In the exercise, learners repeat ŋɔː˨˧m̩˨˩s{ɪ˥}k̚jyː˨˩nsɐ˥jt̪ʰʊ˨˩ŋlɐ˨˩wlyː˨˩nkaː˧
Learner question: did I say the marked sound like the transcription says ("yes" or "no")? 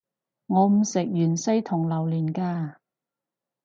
no